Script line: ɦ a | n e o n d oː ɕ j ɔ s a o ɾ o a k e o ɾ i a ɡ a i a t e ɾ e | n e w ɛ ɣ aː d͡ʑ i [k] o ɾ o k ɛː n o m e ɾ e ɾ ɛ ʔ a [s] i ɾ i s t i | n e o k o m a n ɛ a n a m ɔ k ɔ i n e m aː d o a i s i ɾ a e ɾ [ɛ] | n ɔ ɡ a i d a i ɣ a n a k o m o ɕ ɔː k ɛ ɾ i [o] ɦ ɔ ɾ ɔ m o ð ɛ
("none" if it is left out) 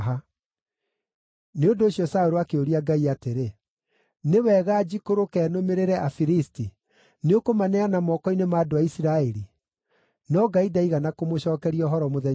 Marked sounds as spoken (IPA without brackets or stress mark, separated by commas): k, f, i, ɔ